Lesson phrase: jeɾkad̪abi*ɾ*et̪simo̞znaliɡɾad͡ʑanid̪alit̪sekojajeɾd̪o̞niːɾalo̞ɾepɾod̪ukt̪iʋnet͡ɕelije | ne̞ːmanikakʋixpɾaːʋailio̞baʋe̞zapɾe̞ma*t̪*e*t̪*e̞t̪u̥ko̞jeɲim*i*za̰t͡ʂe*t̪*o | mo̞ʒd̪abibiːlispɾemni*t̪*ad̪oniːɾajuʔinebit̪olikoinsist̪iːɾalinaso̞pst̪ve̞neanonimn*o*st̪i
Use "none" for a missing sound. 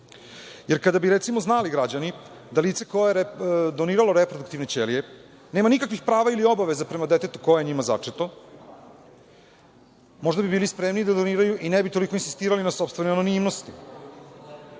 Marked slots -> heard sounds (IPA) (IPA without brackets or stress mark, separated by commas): ɾ, d̪, t̪, a, t̪, d̪, o